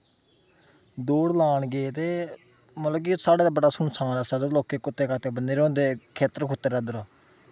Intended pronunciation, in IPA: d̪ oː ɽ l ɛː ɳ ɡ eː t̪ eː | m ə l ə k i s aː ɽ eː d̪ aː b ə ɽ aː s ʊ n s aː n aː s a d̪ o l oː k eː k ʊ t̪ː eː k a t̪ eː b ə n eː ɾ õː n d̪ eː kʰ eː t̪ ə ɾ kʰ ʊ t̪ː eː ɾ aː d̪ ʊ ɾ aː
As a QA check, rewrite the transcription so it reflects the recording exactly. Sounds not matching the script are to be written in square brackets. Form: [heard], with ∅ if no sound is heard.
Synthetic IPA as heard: d̪ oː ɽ l [aː] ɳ ɡ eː t̪ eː | m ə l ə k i s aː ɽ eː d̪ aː b ə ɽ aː s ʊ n s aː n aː s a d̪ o l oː k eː k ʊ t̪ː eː k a t̪ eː b ə n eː ɾ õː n d̪ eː kʰ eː t̪ ə ɾ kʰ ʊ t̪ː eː ɾ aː d̪ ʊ ɾ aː